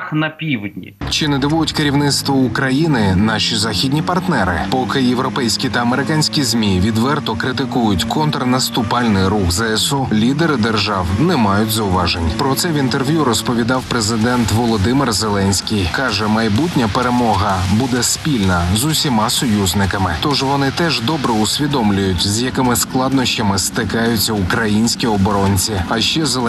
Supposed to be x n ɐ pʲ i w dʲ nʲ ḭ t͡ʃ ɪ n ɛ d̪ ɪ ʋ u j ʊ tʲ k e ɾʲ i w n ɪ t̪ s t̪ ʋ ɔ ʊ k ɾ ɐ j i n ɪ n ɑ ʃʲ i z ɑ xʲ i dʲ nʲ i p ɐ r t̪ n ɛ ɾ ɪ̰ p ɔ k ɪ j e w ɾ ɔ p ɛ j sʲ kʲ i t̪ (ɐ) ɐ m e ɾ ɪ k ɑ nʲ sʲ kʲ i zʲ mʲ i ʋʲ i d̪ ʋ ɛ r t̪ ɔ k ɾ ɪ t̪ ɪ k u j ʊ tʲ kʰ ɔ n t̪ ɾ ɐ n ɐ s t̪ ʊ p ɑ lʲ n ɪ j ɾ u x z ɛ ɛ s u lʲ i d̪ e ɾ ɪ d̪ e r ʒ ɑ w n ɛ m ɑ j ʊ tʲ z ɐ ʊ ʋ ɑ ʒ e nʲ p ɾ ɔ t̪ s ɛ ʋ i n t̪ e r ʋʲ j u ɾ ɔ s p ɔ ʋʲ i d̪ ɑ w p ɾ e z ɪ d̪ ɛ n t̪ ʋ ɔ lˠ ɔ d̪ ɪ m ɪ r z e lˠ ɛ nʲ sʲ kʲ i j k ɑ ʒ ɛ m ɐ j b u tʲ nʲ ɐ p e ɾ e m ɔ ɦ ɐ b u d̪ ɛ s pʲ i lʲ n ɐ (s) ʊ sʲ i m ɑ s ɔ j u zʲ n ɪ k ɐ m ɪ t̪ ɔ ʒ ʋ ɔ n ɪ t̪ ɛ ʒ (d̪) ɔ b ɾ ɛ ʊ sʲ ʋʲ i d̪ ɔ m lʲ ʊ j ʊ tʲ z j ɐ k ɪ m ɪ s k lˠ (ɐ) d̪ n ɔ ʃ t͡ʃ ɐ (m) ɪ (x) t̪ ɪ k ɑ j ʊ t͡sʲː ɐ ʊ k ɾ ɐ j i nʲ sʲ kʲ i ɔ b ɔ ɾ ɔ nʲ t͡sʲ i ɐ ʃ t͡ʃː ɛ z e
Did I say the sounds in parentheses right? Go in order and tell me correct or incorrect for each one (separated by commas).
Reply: correct, incorrect, correct, incorrect, correct, incorrect